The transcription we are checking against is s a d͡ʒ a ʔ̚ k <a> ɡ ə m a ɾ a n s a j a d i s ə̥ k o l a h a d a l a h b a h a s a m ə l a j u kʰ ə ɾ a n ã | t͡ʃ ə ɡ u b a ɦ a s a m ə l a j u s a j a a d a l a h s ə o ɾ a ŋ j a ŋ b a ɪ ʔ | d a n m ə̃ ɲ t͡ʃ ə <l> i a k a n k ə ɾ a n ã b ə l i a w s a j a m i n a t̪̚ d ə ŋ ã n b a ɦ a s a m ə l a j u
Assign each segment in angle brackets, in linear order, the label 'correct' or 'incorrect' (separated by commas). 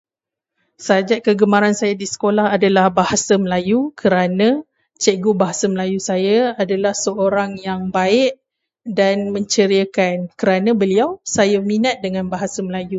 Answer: incorrect, incorrect